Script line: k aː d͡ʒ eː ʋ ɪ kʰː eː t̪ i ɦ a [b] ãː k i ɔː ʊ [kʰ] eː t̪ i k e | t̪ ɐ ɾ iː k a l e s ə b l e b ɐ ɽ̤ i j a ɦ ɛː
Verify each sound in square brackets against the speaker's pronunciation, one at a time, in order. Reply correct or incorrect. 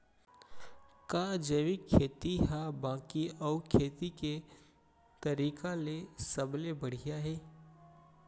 correct, correct

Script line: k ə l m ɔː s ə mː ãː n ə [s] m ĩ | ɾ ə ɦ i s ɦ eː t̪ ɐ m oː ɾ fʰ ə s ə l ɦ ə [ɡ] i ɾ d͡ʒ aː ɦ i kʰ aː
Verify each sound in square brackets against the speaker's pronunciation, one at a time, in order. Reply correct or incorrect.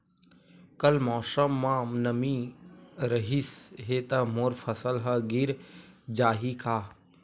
incorrect: none, correct

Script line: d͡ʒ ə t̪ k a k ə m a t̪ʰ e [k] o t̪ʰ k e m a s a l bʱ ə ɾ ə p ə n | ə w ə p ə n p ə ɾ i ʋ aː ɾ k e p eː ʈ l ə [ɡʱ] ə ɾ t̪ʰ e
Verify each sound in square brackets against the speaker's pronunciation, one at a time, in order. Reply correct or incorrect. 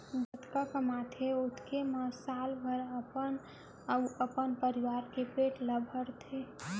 incorrect: none, incorrect: bʱ

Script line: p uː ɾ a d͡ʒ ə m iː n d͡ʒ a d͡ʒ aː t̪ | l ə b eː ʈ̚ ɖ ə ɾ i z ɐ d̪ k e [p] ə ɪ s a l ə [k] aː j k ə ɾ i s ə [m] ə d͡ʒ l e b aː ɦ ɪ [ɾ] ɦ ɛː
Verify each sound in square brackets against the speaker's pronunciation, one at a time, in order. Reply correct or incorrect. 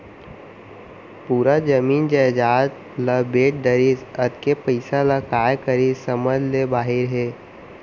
correct, correct, correct, correct

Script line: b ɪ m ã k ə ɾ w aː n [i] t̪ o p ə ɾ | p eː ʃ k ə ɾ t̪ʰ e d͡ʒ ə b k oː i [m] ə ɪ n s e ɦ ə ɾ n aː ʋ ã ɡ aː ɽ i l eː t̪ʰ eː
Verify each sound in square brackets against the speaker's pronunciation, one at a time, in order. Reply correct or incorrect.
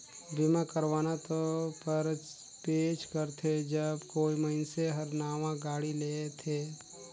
incorrect: a, correct

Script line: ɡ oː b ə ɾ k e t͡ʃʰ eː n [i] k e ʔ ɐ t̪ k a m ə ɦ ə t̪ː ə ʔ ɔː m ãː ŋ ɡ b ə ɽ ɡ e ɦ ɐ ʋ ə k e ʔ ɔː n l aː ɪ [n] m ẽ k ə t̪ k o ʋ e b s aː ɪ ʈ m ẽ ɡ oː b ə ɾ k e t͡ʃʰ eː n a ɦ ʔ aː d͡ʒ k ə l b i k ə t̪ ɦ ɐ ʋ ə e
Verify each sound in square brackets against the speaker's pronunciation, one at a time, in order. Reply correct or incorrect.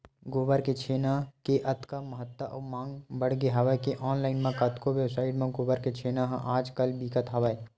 incorrect: a, correct

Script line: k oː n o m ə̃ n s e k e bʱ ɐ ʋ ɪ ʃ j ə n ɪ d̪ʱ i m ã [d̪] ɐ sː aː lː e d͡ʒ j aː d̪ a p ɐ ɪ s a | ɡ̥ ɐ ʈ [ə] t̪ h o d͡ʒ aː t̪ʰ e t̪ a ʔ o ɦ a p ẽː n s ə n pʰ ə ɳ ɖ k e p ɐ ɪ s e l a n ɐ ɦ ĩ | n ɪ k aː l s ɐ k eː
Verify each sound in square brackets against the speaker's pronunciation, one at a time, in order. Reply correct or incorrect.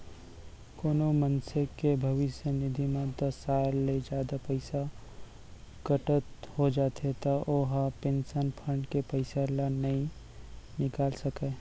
correct, correct

